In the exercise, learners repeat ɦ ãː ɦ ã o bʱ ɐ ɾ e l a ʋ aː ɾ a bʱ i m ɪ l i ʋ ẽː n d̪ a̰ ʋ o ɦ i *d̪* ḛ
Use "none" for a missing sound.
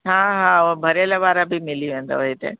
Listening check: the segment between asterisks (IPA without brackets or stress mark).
t̪